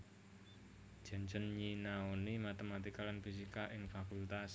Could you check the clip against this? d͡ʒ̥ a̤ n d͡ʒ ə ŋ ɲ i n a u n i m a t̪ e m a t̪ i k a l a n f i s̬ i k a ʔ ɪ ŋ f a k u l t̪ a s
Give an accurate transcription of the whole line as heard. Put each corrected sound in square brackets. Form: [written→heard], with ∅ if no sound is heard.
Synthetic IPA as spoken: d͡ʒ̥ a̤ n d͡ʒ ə [ŋ→n] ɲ i n a [u→o] n i m a t̪ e m a t̪ i k a l a n f i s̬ i k a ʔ ɪ ŋ f a k u l t̪ a s